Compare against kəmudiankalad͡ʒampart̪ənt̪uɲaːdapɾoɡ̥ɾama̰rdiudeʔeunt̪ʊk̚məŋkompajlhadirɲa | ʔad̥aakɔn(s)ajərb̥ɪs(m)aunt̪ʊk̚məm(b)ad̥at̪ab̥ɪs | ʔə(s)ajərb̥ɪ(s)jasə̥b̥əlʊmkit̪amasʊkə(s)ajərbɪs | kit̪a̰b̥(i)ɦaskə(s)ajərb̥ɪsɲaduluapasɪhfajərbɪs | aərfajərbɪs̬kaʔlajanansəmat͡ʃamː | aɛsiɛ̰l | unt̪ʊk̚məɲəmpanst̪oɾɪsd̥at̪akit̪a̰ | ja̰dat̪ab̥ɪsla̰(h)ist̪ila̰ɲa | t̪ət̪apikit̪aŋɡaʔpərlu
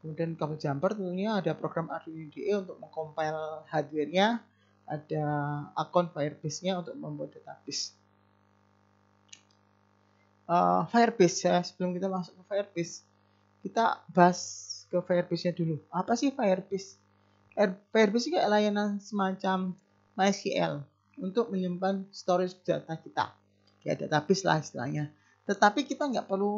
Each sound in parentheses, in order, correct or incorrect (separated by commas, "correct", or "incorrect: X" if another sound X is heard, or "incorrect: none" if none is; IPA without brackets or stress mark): incorrect: f, incorrect: ɲ, correct, incorrect: f, correct, incorrect: f, incorrect: a, incorrect: f, correct